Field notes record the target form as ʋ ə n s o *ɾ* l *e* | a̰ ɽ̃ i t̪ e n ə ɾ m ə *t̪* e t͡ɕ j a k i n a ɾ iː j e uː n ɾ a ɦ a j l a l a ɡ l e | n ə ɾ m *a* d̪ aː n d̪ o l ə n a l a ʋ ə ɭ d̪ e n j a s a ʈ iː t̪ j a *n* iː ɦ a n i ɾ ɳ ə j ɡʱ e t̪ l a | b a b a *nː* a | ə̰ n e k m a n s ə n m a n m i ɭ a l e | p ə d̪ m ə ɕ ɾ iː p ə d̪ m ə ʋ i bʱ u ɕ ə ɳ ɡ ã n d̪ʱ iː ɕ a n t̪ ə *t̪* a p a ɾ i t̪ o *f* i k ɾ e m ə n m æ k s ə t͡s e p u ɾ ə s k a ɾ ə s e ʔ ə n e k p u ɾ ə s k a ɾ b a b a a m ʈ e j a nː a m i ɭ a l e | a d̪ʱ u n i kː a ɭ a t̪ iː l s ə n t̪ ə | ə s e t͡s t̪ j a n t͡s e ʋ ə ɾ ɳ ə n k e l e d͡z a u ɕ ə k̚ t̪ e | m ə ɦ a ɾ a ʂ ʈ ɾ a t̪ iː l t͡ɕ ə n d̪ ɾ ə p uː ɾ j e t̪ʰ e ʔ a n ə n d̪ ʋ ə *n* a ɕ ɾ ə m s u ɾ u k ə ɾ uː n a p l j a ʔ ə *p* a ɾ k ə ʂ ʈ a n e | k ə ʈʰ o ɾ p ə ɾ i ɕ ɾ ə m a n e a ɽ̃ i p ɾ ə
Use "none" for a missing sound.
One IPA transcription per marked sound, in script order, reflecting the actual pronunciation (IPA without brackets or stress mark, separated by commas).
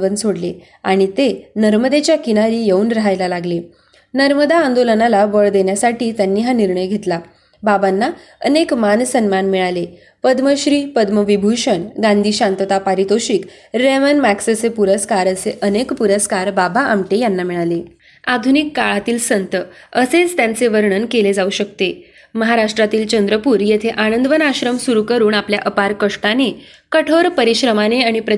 ɽ, e, d̪, ə, nː, nː, t̪, ɕ, n, p